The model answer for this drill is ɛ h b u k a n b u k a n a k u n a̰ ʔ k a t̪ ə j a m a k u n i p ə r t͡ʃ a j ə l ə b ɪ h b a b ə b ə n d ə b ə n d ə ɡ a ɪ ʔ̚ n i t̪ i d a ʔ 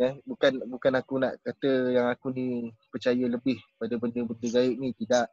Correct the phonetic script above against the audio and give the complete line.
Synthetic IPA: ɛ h b u k a n b u k a n a k u n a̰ ʔ k a t̪ ə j a ŋ a k u n i p ə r t͡ʃ a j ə l ə b ɪ h p a d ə b ə n d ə b ə n d ə ɡ a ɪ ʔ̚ n i t̪ i d a ʔ